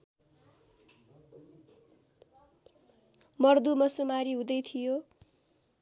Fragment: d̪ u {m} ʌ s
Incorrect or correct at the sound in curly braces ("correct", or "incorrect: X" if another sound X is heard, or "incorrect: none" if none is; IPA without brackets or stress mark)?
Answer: correct